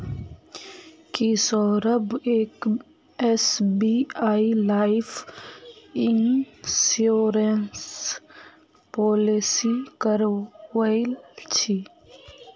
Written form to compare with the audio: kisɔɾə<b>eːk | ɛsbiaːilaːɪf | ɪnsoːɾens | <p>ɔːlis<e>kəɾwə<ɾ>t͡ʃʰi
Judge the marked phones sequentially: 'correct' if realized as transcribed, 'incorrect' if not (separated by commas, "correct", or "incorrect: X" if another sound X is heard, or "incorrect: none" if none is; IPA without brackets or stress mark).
correct, correct, incorrect: i, incorrect: l